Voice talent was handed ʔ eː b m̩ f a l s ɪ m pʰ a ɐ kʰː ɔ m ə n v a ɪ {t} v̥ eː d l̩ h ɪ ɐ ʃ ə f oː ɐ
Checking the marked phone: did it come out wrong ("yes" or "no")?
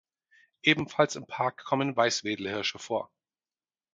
yes